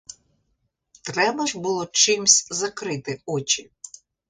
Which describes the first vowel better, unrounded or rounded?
unrounded